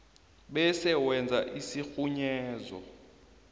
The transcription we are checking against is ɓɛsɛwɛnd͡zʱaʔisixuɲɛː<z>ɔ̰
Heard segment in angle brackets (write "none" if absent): z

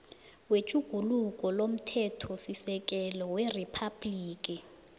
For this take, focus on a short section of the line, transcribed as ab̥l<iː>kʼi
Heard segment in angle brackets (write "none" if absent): iː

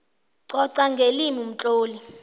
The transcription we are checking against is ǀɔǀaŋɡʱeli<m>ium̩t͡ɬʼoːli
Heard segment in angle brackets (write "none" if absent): m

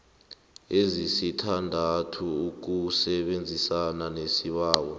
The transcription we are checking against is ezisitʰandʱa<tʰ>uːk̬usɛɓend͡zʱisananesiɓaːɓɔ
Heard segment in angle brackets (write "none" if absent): tʰ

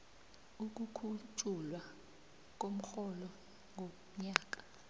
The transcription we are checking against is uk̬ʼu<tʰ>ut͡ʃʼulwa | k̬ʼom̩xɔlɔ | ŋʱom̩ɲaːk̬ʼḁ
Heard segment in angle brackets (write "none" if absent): kʰ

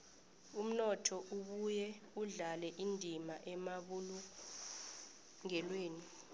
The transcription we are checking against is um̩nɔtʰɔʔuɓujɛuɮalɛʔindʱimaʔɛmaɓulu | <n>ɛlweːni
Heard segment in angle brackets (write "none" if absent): ŋ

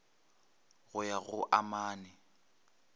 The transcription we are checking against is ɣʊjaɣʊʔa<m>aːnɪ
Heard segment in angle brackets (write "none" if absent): m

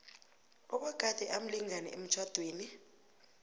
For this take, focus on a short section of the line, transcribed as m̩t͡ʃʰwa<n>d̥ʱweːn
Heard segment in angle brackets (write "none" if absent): none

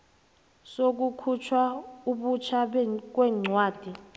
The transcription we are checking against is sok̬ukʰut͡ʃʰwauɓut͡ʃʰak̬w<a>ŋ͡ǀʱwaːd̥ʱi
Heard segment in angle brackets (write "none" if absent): ɛ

